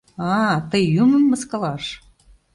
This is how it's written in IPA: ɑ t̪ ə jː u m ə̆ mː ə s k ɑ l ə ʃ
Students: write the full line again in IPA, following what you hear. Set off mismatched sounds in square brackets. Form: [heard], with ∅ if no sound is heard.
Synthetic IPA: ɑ t̪ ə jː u m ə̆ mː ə s k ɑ l [ɑ] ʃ